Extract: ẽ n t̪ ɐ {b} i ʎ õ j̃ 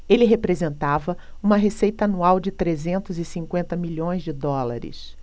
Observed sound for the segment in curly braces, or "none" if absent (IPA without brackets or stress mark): m